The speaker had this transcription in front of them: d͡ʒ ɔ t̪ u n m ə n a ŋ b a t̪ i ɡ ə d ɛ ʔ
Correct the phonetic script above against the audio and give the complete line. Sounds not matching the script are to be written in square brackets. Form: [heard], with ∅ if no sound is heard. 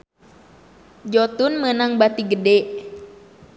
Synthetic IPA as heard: d͡ʒ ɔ t̪ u n m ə n a ŋ b a t̪ i ɡ ə d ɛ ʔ